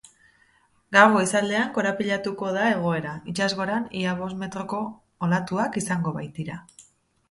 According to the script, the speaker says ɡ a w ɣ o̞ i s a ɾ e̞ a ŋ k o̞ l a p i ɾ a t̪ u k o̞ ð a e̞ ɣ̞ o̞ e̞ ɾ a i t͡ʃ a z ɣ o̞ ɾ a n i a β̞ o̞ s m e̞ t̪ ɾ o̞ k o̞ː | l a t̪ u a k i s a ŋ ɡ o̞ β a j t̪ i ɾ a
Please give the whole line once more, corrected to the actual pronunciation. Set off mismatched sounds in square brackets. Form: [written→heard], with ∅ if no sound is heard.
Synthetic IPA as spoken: ɡ a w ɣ o̞ i s a [ɾ→l] e̞ a ŋ k o̞ [l→ɾ] a p i [ɾ→ʎ] a t̪ u k o̞ ð a e̞ ɣ̞ o̞ e̞ ɾ a i t͡ʃ a z ɣ o̞ ɾ a n i a β̞ o̞ s m e̞ t̪ ɾ o̞ k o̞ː | l a t̪ u a k i s a ŋ ɡ o̞ β a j t̪ i ɾ a

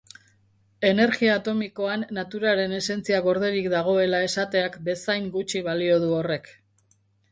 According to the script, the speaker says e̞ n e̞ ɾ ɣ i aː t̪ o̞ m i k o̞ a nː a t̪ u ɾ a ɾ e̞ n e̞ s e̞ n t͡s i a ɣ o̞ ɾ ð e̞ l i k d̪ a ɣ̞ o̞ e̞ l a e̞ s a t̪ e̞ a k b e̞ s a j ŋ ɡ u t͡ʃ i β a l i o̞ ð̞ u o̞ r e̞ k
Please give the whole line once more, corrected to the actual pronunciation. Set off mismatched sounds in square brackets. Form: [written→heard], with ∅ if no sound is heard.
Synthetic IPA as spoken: e̞ n e̞ ɾ ɣ i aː t̪ o̞ m i k o̞ a nː a t̪ u ɾ a ɾ e̞ n e̞ s e̞ n t͡s i a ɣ o̞ ɾ ð e̞ [l→ɾ] i k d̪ a ɣ̞ o̞ e̞ l a e̞ s a t̪ e̞ a k b e̞ s a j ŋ ɡ u t͡ʃ i β a l i o̞ ð̞ u o̞ r e̞ k

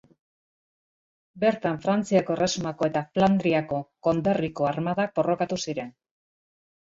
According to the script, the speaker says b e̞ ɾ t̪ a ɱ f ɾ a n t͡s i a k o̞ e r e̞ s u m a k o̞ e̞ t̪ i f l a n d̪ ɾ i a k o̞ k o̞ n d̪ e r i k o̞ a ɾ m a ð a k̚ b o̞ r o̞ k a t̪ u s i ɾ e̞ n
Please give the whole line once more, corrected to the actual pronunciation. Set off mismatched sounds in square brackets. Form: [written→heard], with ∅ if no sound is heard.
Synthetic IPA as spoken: b e̞ ɾ t̪ a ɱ f ɾ a n t͡s i a k o̞ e r e̞ s u m a k o̞ e̞ t̪ [i→a] f l a n d̪ ɾ i a k o̞ k o̞ n d̪ e r i k o̞ a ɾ m a ð a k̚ b o̞ r o̞ k a t̪ u s i ɾ e̞ n

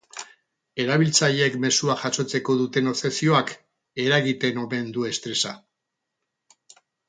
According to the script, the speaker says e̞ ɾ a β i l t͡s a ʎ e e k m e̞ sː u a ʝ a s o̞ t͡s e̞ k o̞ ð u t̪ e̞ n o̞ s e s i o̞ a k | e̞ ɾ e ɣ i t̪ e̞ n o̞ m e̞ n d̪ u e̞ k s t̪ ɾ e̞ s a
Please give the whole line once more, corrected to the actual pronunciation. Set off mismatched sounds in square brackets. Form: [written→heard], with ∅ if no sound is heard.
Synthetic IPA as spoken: e̞ ɾ a β i l t͡s a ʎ e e k m e̞ [sː→s] u a ʝ a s o̞ t͡s e̞ k o̞ ð u t̪ e̞ n o̞ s e s i o̞ a k | e̞ ɾ [e→a] ɣ i t̪ e̞ n o̞ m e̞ n d̪ u e̞ [k→∅] s t̪ ɾ e̞ s a

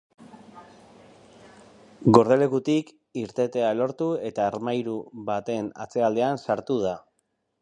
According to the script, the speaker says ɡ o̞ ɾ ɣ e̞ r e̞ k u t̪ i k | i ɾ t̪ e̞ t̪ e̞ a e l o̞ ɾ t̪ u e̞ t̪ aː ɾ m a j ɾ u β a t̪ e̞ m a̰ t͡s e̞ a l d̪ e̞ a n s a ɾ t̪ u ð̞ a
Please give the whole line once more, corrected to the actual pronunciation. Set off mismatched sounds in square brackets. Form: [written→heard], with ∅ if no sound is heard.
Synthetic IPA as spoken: ɡ o̞ ɾ [ɣ→ð] e̞ [r→l] e̞ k u t̪ i k | i ɾ t̪ e̞ t̪ e̞ a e l o̞ ɾ t̪ u e̞ t̪ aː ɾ m a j ɾ u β a t̪ e̞ [m→n] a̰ t͡s e̞ a l d̪ e̞ a n s a ɾ t̪ u ð̞ a

